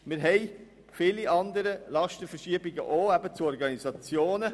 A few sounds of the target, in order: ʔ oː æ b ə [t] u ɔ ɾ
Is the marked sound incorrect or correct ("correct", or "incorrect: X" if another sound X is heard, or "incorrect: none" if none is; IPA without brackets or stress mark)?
incorrect: t͡s